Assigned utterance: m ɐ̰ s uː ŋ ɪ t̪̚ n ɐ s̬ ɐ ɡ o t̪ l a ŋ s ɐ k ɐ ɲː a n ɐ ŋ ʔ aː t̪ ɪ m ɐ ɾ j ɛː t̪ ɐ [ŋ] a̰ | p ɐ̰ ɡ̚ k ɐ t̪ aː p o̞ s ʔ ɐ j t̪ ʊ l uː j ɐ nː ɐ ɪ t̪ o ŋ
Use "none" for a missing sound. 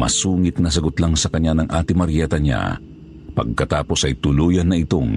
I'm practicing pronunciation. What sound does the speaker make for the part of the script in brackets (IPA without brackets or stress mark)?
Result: ɲ